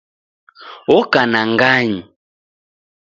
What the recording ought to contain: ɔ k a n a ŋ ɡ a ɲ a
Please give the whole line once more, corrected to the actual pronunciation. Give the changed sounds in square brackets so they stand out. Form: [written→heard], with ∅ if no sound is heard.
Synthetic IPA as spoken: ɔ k a n a ŋ ɡ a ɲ [a→i]